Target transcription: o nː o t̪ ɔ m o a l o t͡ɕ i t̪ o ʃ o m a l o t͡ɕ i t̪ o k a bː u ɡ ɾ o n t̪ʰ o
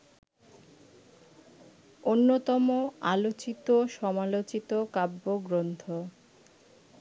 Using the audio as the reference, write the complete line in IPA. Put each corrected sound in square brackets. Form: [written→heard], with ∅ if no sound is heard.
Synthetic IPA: o nː o t̪ ɔ m o a l o t͡ɕ i t̪ o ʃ [o→ɔ] m a l o t͡ɕ i t̪ o k a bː [u→o] ɡ ɾ o n t̪ʰ o